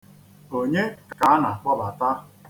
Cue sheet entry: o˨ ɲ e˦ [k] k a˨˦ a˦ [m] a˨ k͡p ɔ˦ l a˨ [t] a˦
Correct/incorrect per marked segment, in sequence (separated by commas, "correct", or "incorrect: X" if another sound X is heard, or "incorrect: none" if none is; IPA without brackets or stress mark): correct, incorrect: n, correct